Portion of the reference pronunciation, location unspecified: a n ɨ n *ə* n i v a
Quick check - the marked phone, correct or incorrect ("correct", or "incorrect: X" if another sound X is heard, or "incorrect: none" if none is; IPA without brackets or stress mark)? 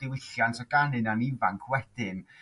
incorrect: a